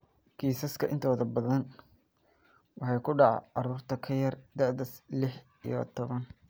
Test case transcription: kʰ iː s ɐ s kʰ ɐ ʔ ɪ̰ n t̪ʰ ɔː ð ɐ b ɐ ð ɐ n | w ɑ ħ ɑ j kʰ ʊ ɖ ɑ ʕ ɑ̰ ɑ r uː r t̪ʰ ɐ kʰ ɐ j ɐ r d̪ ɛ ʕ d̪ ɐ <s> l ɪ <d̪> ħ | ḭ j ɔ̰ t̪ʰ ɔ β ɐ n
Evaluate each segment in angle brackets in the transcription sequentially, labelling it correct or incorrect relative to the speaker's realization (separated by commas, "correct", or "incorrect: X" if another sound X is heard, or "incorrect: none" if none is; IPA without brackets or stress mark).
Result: correct, incorrect: none